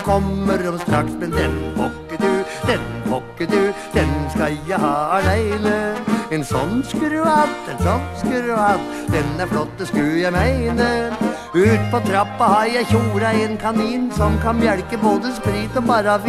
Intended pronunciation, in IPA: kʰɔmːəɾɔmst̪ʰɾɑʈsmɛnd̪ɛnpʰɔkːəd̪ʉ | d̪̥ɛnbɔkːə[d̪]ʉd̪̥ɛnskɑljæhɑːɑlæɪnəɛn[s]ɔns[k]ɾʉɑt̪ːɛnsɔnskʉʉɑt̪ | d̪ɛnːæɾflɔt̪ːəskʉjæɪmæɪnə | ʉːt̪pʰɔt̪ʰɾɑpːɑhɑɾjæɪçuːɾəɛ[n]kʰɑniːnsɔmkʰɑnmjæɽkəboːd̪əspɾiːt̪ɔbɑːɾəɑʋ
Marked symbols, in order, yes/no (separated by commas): yes, yes, yes, yes